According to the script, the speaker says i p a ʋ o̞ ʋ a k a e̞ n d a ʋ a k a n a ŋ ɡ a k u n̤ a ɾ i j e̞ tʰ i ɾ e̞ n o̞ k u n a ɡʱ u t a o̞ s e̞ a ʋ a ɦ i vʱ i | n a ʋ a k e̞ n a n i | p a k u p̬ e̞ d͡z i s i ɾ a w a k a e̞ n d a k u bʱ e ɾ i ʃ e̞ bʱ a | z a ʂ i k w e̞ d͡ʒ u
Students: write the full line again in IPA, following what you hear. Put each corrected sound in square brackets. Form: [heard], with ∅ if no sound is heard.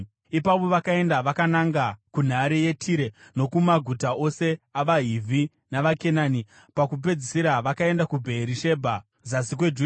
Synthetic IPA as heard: i p a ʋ o̞ ʋ a k a e̞ n d a ʋ a k a n a ŋ ɡ a k u n̤ a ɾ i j e̞ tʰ i ɾ e̞ n o̞ k u [m] a ɡʱ u t a o̞ s e̞ a ʋ a ɦ i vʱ i | n a ʋ a k e̞ n a n i | p a k u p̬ e̞ d͡z i s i ɾ a [ʋ] a k a e̞ n d a k u bʱ e ɾ i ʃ e̞ bʱ a | z a [s] i k w e̞ d͡ʒ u